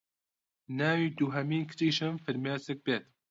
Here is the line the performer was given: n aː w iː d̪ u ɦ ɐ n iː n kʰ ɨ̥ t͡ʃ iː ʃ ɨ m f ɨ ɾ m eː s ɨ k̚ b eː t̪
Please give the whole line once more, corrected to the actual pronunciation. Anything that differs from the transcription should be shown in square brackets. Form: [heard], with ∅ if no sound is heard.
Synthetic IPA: n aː w iː d̪ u ɦ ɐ [m] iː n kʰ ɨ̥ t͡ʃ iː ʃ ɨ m f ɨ ɾ m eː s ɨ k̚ b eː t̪